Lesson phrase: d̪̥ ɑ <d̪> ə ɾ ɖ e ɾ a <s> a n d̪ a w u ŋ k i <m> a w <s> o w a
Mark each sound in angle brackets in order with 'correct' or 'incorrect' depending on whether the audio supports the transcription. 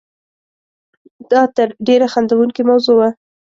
incorrect: t̪, incorrect: x, correct, incorrect: z

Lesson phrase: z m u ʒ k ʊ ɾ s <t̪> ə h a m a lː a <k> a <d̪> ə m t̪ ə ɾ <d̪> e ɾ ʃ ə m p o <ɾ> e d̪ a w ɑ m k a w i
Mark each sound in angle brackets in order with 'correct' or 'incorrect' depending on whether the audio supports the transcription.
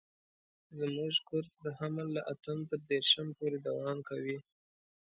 incorrect: d̪, incorrect: ʔ, incorrect: t̪, correct, correct

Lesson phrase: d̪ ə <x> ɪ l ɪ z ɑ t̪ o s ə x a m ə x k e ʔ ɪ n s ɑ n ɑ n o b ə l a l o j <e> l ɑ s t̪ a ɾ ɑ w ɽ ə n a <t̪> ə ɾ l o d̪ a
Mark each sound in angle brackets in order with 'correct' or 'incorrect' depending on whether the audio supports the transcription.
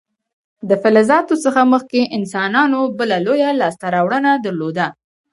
incorrect: f, incorrect: a, incorrect: d̪

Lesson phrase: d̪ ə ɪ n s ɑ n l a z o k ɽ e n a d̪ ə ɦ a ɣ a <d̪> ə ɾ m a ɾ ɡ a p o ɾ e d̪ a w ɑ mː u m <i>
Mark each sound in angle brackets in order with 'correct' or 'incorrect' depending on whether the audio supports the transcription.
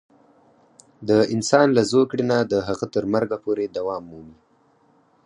incorrect: t̪, correct

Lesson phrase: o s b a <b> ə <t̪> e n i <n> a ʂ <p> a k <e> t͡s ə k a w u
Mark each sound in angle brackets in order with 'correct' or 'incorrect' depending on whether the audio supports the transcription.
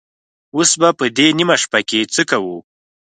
incorrect: p, incorrect: d̪, incorrect: m, correct, correct

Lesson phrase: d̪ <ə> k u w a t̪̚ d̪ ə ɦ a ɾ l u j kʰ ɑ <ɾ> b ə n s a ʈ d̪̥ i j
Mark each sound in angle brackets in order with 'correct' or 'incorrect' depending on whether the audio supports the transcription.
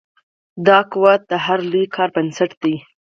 incorrect: ɑ, correct

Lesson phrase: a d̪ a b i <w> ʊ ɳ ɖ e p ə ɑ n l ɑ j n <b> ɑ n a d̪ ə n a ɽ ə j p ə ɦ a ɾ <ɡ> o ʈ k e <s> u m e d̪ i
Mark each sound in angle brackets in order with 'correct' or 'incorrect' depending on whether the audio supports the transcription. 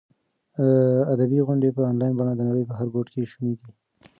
incorrect: ɣ, correct, correct, incorrect: ʃ

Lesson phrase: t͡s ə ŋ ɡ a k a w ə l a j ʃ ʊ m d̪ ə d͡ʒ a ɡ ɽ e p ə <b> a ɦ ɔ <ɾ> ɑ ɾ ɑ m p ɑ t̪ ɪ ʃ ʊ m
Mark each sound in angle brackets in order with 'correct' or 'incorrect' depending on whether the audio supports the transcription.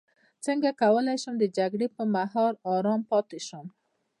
incorrect: m, correct

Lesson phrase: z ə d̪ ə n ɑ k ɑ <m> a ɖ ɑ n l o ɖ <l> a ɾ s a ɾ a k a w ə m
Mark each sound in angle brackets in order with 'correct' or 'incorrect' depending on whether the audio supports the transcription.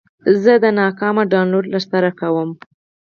correct, correct

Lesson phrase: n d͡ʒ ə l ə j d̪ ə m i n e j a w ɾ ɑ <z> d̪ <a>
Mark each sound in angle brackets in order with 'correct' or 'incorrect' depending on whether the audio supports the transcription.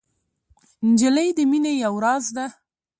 correct, correct

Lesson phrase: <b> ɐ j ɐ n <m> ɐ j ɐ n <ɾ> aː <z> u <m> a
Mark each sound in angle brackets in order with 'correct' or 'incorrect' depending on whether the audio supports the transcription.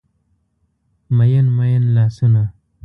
incorrect: m, correct, incorrect: l, incorrect: s, incorrect: n

